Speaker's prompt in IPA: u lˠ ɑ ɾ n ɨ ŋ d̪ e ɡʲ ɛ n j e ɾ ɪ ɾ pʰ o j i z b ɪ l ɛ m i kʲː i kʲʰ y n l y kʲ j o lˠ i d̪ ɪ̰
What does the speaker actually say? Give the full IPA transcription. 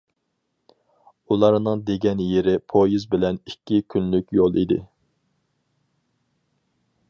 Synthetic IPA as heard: u lˠ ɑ ɾ n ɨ ŋ d̪ e ɡʲ ɛ n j e ɾ ɪ pʰ o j i z b ɪ l ɛ n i kʲː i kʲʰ y n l y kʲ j o lˠ i d̪ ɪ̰

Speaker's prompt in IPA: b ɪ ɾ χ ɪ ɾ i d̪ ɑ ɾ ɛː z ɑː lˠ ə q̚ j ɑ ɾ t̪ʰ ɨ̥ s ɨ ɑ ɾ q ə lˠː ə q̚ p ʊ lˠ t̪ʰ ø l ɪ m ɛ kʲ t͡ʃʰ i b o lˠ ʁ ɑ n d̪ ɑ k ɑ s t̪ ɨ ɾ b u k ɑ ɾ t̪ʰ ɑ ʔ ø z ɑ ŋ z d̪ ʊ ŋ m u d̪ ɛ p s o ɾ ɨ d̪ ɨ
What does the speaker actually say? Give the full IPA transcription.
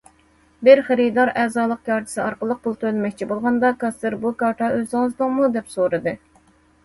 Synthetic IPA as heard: b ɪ ɾ χ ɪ ɾ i d̪ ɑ ɾ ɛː z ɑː lˠ ə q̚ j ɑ ɾ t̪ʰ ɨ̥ s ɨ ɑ ɾ q ə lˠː ə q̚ p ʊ lˠ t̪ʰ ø l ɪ m ɛ kʲ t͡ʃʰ i b o lˠ ʁ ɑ n d̪ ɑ k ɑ s t̪ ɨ ɾ b u k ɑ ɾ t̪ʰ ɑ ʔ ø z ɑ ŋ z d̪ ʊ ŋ m u d̪ ɛ p s o ɾ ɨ d̪ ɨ

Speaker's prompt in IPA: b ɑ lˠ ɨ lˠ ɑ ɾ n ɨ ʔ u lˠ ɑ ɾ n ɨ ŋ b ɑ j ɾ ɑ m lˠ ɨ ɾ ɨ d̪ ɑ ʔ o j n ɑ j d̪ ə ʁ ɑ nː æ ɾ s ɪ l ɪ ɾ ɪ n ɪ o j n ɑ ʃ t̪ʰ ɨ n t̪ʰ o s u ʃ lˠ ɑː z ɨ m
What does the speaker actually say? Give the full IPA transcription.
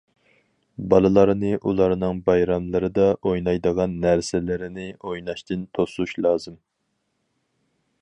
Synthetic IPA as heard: b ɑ lˠ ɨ lˠ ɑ ɾ n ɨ ʔ u lˠ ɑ ɾ n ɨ ŋ b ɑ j ɾ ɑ m lˠ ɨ ɾ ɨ d̪ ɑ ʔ o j n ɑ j d̪ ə ʁ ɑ nː æ ɾ s ɪ l ɪ ɾ ɪ n ɪ o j n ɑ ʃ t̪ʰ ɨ n t̪ʰ o s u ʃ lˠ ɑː z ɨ m

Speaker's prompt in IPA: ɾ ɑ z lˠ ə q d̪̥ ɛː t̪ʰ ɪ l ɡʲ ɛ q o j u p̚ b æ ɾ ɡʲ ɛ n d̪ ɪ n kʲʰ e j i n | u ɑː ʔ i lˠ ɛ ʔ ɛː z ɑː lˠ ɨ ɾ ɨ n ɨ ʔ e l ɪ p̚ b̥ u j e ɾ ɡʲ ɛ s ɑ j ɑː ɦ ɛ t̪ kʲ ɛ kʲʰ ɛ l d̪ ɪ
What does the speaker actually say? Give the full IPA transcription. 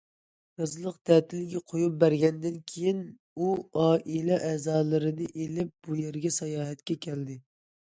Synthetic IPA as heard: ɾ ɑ z lˠ ə q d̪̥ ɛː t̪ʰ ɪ l ɡʲ ɛ qʰ o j u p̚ b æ ɾ ɡʲ ɛ n d̪ ɪ n kʲʰ e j i n | u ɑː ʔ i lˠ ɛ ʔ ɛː z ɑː lˠ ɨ ɾ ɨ n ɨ ʔ e l ɪ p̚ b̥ u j e ɾ ɡʲ ɛ s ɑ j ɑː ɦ ɛ t̪ kʲ ɛ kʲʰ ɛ l d̪ ɪ

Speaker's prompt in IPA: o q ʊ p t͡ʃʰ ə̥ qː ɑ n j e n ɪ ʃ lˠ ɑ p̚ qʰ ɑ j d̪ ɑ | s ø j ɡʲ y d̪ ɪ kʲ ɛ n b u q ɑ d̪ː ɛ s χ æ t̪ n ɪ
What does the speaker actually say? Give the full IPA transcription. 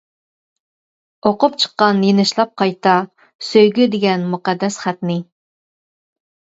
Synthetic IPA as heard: o q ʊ p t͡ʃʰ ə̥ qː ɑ n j e n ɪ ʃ lˠ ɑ p̚ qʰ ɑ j t̪ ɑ | s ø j ɡʲ y d̪ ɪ ɡʲ ɛ n m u q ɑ d̪ː ɛ s χ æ t̪ n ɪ

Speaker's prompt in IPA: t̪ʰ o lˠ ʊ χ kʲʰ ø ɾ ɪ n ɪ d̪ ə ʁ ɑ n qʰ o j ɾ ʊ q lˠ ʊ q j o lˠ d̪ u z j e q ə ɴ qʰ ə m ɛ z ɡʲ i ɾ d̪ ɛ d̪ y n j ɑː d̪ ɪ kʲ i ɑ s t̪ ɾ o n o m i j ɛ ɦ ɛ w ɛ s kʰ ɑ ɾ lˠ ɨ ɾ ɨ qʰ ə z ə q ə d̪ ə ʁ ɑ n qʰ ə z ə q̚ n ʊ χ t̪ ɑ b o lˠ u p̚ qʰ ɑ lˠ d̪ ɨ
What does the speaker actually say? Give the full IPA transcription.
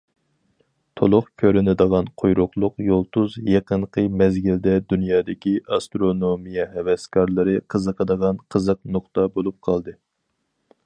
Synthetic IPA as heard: t̪ʰ o lˠ ʊ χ kʲʰ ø ɾ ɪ n ɪ d̪ ə ʁ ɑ n qʰ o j ɾ ʊ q lˠ ʊ q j o lˠ t̪ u z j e q ə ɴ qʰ ə m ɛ z ɡʲ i l d̪ ɛ d̪ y n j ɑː d̪ ɪ kʲ i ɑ s t̪ ɾ o n o m i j ɛ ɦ ɛ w ɛ s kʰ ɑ ɾ lˠ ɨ ɾ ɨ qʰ ə z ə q ə d̪ ə ʁ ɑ n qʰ ə z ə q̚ n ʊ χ t̪ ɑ b o lˠ u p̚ qʰ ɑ lˠ d̪ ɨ

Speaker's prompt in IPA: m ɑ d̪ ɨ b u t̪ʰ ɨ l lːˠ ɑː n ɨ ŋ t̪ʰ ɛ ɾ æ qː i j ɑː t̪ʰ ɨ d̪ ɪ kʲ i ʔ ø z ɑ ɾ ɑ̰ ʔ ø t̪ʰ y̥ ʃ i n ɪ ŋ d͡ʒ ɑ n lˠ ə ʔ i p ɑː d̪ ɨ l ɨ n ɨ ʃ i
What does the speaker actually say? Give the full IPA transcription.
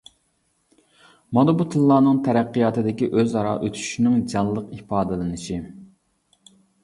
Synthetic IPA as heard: m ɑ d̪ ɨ b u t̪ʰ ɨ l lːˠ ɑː n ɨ ŋ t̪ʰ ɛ ɾ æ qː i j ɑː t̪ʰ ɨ d̪ ɪ kʲ i ʔ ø z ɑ ɾ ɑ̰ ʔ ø t̪ʰ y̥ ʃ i n ɪ ŋ d͡ʒ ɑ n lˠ ə q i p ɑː d̪ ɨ l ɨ n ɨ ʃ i

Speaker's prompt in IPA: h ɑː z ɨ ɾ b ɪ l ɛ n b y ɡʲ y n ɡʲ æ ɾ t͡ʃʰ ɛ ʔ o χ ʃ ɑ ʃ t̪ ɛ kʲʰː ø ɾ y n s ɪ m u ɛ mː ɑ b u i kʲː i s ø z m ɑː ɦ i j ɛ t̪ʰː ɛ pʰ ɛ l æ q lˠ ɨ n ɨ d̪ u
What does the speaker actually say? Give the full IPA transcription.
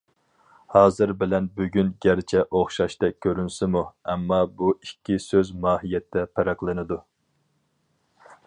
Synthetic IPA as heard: h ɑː z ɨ ɾ b ɪ l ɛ n b y ɡʲ y n ɡʲ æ ɾ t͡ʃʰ ɛ ʔ o χ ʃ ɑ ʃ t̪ ɛ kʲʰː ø ɾ y n s ɪ m u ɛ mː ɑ b u i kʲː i s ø z m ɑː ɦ i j ɛ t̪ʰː ɛ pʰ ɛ ɾ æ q lˠ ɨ n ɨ d̪ u

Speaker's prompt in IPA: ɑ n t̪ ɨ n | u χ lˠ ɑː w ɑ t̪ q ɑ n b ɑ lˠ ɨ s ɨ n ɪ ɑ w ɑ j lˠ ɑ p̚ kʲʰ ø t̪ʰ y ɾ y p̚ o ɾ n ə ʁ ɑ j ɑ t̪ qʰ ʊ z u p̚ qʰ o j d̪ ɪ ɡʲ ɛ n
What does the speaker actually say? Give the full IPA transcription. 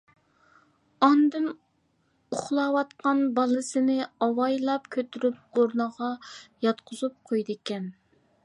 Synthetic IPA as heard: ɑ n d̪ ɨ n | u χ lˠ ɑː w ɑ t̪ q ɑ n b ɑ lˠ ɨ s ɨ n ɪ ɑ w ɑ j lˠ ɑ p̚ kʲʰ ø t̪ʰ y ɾ y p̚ o ɾ n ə ʁ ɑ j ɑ t̪ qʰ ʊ z u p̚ qʰ o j d̪ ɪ kʲ ɛ n

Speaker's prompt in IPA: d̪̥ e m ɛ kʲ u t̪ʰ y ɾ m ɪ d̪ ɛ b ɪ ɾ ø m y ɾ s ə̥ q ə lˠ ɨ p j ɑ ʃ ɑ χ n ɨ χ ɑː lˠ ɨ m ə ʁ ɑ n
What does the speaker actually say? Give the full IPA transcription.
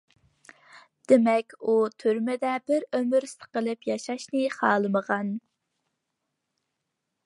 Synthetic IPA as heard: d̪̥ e m ɛ kʲ u t̪ʰ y ɾ m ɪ d̪ ɛ b ɪ ɾ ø m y ɾ s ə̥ q ə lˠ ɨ p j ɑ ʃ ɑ ʃ n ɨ χ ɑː lˠ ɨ m ə ʁ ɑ n

